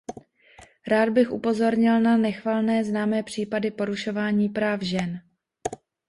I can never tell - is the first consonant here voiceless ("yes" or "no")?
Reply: no